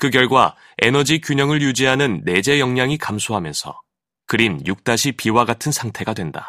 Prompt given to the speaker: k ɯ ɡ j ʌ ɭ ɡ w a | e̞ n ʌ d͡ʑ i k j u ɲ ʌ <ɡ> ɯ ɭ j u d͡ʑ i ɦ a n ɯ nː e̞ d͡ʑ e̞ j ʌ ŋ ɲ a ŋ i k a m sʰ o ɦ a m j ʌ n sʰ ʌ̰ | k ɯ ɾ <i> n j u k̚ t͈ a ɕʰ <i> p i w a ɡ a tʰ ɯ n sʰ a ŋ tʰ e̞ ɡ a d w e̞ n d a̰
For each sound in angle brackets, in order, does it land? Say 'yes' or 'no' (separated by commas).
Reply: no, yes, yes